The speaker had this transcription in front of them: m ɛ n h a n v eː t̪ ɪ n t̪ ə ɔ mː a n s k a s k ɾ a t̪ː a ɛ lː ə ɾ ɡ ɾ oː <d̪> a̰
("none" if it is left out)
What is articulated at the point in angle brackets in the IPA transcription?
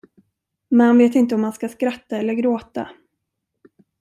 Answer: t̪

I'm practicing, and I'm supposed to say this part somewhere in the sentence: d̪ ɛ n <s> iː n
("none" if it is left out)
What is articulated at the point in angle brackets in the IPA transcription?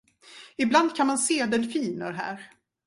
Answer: f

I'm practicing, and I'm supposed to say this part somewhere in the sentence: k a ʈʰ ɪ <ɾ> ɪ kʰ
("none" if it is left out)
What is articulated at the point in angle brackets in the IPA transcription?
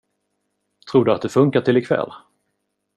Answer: l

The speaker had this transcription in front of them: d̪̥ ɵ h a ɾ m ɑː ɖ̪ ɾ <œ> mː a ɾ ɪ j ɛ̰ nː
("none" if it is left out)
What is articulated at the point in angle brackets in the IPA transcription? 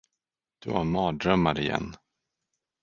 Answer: œ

